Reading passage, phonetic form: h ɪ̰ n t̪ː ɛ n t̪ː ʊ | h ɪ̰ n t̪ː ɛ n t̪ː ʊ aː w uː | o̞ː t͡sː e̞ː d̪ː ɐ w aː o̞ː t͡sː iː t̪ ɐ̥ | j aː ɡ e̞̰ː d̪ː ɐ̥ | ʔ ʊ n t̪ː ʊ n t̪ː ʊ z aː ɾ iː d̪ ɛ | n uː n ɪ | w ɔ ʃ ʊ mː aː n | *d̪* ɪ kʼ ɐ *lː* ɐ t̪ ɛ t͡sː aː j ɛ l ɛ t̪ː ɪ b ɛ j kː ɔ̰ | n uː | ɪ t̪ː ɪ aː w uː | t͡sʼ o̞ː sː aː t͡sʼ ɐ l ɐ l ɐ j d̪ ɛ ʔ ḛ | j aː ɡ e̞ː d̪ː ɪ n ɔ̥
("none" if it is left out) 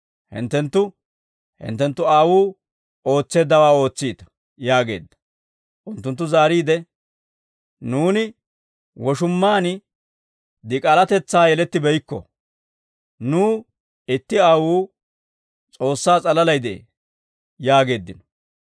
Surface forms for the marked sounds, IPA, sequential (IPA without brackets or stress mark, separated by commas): d̪, l